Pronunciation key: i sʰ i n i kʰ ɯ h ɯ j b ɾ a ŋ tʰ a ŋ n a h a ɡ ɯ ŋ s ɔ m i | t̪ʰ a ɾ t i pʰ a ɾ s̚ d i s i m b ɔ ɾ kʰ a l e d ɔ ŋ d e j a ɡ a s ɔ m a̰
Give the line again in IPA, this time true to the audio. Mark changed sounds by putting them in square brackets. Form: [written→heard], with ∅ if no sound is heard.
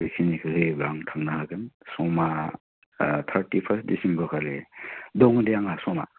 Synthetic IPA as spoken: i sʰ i n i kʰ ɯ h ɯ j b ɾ a ŋ tʰ a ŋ n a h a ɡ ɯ [ŋ→n] s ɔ m [i→a] | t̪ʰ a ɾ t i pʰ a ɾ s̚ d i s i m b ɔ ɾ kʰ a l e d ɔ ŋ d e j a [ɡ→ŋ] a s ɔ m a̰